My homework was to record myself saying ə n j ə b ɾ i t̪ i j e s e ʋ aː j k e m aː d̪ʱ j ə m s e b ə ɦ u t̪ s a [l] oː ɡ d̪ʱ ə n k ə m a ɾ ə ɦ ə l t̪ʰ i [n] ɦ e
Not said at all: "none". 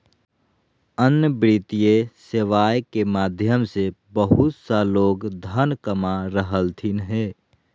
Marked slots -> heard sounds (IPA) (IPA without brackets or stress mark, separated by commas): l, n